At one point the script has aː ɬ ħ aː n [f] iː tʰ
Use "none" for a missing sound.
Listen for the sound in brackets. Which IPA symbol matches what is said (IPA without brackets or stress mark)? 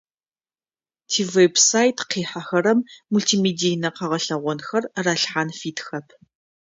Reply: f